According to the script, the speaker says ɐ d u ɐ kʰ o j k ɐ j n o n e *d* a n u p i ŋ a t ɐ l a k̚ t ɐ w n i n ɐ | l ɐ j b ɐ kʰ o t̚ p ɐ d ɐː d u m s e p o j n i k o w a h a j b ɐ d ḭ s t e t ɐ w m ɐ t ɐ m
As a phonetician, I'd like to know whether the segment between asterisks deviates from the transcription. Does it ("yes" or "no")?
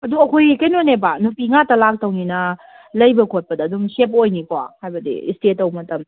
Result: yes